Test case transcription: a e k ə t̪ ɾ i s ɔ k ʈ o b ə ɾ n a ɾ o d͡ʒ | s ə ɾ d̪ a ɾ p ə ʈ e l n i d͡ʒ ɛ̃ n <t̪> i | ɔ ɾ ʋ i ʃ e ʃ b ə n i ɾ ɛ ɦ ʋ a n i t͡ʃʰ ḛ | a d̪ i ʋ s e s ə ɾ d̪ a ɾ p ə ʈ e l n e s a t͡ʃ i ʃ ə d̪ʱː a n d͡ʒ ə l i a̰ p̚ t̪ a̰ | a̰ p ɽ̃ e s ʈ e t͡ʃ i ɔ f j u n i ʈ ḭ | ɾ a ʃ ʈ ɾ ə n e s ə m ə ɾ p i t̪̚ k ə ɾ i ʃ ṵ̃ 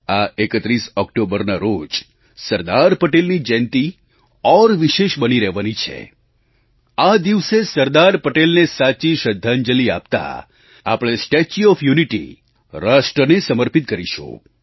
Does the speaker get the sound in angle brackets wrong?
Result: no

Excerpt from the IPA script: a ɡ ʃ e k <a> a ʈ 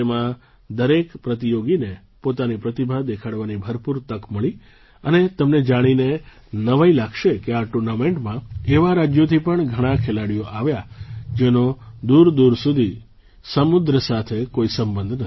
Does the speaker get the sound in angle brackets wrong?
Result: yes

